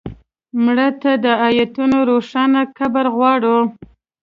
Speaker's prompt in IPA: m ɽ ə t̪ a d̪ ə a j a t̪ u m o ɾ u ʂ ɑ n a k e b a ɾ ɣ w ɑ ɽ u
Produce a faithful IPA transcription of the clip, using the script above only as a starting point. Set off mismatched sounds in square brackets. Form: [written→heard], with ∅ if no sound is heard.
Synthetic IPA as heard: m ɽ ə t̪ a d̪ ə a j a t̪ u [m→n] o ɾ [u→o] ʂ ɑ n a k [e→a] b a ɾ ɣ w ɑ ɽ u

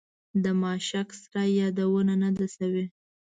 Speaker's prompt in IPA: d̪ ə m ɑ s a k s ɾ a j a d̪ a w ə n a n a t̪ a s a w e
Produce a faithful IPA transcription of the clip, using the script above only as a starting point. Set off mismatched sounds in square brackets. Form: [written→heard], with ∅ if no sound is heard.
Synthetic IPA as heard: d̪ ə m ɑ [s→ʃ] a k s ɾ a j [a→ɑ] d̪ a w ə n a n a [t̪→d̪] a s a w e

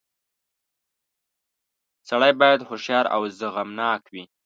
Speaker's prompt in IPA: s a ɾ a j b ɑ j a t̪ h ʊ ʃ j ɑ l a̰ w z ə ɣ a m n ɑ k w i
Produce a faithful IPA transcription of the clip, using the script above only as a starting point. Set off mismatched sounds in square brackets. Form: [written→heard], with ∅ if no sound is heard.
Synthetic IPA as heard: s a [ɾ→ɽ] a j b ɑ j a [t̪→d̪] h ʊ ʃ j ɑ [l→ɾ] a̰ w z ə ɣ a m n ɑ k w i

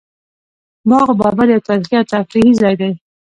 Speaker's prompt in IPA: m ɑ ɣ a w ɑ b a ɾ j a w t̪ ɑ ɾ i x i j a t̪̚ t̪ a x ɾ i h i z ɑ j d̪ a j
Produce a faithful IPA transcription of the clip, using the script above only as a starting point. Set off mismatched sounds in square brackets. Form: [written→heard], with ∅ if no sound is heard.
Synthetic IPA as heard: m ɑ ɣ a [w→b] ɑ b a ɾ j a w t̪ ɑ ɾ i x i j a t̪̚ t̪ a [x→f] ɾ i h i z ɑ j d̪ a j

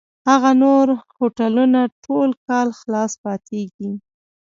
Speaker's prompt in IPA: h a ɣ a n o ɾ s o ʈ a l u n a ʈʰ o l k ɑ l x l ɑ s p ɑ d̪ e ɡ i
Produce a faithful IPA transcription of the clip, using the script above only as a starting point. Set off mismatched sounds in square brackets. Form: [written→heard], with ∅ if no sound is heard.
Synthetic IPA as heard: h a ɣ a n o ɾ [s→h] o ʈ a l u n a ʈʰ o l k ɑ l x l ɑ s p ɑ [d̪→t̪] e ɡ i

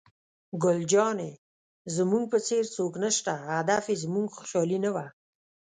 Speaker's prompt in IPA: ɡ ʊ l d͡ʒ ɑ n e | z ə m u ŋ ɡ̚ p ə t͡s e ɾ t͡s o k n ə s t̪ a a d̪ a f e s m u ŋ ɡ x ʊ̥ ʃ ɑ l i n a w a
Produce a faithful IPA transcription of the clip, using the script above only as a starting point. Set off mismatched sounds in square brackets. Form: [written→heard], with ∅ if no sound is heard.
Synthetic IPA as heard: ɡ ʊ l d͡ʒ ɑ n e | z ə m u ŋ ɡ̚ p ə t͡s e ɾ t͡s o k n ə [s→ʃ] t̪ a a d̪ a f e [s→z] m u ŋ ɡ x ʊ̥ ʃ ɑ l i n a w a

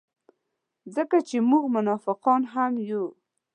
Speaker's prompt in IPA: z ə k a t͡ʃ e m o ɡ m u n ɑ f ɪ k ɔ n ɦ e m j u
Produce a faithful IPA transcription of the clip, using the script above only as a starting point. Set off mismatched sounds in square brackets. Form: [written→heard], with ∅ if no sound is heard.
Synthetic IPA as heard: z ə k a t͡ʃ e m [o→u] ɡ m [u→ʊ] n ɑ f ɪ [k→q] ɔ n ɦ [e→a] m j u

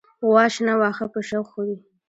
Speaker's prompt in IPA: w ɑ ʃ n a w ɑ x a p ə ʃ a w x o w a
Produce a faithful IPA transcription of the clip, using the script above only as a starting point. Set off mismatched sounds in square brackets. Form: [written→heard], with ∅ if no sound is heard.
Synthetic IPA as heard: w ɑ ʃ n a w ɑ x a p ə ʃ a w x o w [a→i]

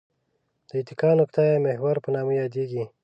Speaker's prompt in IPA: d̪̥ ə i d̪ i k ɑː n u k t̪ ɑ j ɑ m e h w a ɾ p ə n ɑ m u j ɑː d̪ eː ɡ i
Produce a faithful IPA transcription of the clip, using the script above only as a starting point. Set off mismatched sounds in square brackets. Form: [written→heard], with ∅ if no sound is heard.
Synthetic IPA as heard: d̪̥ ə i [d̪→t̪] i k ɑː n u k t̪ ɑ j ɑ m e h w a ɾ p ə n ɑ m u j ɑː d̪ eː ɡ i

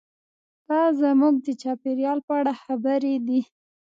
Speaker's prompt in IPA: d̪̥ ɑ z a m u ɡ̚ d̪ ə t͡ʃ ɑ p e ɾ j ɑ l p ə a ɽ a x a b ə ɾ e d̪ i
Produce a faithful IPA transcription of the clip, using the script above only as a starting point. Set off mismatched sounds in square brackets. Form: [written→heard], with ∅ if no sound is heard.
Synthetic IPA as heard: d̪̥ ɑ z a m u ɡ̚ d̪ ə t͡ʃ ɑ p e ɾ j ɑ l p ə a ɽ a x a b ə ɾ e d̪ i

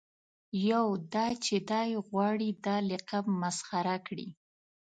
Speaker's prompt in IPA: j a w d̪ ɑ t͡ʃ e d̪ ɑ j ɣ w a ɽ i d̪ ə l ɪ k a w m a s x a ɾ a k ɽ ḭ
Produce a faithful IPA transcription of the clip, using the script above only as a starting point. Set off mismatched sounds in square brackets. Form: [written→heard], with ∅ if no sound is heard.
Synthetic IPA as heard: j a w d̪ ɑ t͡ʃ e d̪ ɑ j ɣ w [a→ɑ] ɽ i d̪ [ə→ɑ] l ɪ [k→q] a [w→b] m a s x a ɾ a k ɽ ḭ

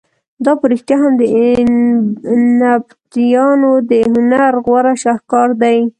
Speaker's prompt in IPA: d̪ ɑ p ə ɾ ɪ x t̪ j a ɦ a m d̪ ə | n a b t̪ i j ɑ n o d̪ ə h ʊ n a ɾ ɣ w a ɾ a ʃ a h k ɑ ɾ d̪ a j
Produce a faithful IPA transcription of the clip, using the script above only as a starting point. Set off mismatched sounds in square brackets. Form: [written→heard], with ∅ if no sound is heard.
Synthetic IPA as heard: d̪ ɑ p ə ɾ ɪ x t̪ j a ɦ a m d̪ ə | n a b t̪ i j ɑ n o d̪ ə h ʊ n a ɾ ɣ w a ɾ a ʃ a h k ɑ ɾ d̪ a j

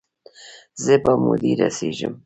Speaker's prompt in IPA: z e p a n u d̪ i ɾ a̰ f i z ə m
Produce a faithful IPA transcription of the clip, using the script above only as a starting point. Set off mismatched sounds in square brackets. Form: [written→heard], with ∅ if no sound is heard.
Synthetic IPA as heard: z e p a [n→m] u d̪ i ɾ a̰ [f→s] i [z→ʒ] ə m

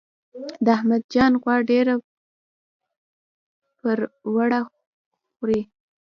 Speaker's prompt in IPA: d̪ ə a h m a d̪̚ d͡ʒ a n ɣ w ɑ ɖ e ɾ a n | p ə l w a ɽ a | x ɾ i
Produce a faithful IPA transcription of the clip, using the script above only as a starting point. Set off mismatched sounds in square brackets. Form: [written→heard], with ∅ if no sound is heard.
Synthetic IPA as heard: d̪ ə a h m a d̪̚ d͡ʒ [a→ɑ] n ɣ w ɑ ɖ e ɾ a [n→∅] | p ə [l→ɾ] w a ɽ a | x ɾ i

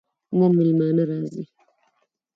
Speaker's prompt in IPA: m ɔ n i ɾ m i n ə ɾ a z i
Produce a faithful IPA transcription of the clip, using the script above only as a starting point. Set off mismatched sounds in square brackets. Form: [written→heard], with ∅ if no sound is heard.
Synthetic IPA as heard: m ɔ [n→m] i [ɾ→l] m [i→a] n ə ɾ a z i

